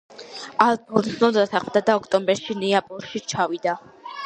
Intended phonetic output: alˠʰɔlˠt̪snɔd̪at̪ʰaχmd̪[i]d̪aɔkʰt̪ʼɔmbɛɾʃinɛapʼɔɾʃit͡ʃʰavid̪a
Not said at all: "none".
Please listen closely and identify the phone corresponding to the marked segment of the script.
a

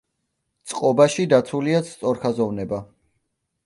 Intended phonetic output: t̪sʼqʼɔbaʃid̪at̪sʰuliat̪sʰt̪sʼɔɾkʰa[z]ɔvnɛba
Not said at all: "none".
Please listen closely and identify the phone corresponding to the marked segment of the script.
z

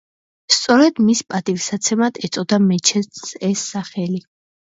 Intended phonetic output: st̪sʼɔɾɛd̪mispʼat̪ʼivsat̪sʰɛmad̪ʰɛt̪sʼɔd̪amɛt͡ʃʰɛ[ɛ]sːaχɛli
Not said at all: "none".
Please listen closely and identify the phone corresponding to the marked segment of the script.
ɛ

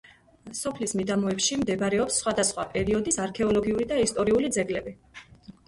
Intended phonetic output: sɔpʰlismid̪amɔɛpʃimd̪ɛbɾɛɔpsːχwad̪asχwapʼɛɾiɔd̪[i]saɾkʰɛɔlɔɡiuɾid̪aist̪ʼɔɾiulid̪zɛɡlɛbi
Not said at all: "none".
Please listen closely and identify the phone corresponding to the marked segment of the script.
i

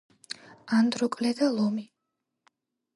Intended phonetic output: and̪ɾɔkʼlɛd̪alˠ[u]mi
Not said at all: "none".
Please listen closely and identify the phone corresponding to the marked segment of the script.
ɔ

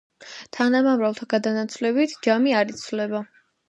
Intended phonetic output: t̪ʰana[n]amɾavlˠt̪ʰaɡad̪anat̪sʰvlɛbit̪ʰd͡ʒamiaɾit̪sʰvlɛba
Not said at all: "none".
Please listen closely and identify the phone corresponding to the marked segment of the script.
m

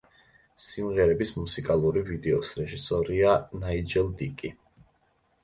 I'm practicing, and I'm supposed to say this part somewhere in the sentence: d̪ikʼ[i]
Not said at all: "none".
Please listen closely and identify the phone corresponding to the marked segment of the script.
i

